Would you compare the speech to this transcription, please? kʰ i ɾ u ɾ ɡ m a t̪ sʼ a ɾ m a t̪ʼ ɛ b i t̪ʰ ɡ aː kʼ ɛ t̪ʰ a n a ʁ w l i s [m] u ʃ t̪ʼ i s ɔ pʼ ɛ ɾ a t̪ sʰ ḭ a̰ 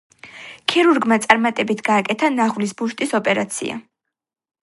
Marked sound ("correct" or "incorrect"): incorrect